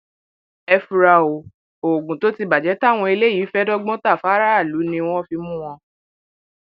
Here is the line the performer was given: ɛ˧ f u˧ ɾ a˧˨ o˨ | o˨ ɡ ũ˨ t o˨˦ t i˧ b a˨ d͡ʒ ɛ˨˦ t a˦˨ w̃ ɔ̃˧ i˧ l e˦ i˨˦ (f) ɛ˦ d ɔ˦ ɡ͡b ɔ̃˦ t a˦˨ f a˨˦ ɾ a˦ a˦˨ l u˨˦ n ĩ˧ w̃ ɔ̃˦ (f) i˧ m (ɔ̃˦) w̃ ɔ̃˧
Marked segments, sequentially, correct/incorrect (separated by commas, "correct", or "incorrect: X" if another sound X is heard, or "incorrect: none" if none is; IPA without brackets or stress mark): correct, correct, incorrect: ũ˦